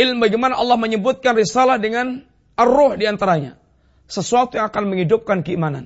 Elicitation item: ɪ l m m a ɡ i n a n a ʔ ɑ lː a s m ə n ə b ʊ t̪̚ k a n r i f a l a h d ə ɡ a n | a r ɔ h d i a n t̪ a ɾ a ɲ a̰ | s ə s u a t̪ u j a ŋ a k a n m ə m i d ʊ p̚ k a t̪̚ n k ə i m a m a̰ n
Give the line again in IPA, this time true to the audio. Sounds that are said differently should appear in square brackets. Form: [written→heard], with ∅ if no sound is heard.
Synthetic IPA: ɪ l m [m→b] a ɡ i [n→m] a n a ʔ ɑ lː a [s→h] m ə [n→ɲ] ə b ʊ t̪̚ k a n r i [f→s] a l a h d ə [ɡ→ŋ] a n | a r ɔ h d i a n t̪ a ɾ a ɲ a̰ | s ə s u a t̪ u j a ŋ a k a n m ə [m→ŋ] i d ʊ p̚ k a [t̪̚→∅] n k ə i m a [m→n] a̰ n